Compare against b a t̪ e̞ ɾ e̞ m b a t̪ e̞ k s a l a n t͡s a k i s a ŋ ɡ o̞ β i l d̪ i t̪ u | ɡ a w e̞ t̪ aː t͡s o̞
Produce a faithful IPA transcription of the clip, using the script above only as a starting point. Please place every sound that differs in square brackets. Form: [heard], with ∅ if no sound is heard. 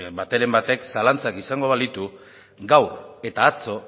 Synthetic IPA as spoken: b a t̪ e̞ ɾ e̞ m b a t̪ e̞ k s a l a n t͡s a k i s a ŋ ɡ o̞ β [a] l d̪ i t̪ u | ɡ a w e̞ t̪ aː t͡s o̞